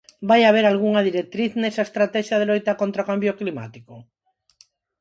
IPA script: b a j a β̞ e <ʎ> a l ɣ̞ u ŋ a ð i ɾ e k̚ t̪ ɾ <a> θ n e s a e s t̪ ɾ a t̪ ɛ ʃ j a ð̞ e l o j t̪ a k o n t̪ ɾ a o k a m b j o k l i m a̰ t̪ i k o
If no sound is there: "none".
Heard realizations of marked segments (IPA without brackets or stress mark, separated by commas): ɾ, i